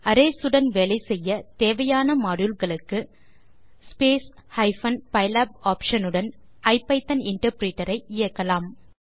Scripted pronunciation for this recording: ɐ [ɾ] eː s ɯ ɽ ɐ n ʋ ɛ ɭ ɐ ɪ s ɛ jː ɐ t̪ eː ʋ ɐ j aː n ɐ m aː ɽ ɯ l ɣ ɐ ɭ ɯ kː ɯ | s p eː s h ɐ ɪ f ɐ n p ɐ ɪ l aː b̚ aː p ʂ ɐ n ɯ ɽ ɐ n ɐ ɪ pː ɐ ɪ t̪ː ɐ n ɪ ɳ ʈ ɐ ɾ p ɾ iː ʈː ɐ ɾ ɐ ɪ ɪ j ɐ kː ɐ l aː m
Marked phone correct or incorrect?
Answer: correct